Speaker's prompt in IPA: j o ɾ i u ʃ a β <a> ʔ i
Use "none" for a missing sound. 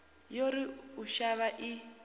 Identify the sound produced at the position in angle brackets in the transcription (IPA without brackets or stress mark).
a